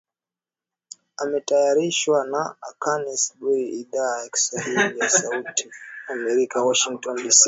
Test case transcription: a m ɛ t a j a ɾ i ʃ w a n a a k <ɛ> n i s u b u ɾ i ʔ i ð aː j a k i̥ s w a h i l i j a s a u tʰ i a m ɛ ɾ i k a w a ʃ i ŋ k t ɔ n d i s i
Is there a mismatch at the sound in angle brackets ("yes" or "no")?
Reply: yes